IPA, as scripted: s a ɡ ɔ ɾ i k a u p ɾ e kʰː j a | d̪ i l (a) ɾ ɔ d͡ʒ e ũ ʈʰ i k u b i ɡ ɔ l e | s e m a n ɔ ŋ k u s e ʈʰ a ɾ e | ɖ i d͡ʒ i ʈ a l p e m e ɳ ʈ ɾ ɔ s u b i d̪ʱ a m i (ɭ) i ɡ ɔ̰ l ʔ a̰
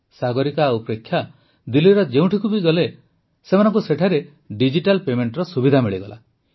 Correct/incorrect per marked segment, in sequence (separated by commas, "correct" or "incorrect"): incorrect, correct